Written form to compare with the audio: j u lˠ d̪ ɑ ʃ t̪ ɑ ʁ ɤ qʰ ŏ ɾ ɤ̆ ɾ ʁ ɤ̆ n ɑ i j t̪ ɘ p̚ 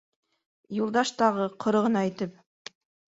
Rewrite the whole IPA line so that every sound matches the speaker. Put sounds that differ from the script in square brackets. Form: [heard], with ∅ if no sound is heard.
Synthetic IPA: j u lˠ d̪ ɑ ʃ t̪ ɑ ʁ ɤ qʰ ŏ ɾ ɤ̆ [∅] ʁ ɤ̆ n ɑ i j t̪ ɘ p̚